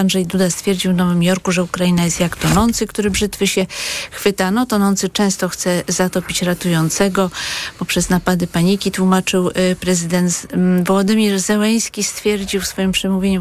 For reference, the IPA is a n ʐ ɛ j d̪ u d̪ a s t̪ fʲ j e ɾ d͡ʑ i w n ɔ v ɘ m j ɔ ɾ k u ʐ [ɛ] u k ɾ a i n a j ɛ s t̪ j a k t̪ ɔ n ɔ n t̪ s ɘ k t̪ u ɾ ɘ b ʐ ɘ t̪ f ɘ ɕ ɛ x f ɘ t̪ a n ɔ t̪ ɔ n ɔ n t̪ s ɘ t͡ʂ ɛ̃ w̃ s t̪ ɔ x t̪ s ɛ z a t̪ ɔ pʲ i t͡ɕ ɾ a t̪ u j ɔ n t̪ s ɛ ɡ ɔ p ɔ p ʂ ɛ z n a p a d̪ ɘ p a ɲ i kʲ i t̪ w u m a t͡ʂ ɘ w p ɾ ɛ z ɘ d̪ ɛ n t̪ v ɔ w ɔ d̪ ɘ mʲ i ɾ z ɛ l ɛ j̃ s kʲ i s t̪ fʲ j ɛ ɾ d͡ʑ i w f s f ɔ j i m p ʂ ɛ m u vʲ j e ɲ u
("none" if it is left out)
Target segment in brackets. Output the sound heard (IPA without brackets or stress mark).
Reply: ɛ